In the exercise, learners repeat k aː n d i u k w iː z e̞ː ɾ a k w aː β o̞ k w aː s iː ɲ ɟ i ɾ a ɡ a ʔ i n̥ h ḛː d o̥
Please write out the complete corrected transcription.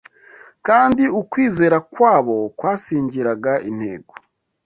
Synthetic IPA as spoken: k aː n d i u k w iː z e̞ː ɾ a k w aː β o̞ k w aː s iː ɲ ɟ i ɾ a ɡ a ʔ i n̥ h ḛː ɡ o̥